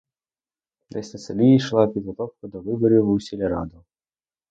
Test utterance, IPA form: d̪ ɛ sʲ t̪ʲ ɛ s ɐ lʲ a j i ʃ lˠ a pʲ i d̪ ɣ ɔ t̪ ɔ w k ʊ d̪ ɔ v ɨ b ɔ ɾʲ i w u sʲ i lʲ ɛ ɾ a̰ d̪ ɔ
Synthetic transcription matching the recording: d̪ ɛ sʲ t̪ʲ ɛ s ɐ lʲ i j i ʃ lˠ a pʲ i d̪ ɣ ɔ t̪ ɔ w k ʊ d̪ ɔ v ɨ b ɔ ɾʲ i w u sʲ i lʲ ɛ ɾ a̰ d̪ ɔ